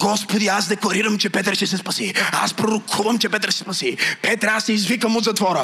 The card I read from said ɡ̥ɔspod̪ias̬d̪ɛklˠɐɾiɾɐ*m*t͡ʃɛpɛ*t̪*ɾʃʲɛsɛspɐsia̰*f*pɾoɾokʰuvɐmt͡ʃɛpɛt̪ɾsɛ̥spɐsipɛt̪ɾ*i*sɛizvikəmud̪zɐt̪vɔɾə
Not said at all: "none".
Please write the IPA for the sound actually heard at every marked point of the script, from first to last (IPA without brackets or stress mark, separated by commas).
m, t̪, s, a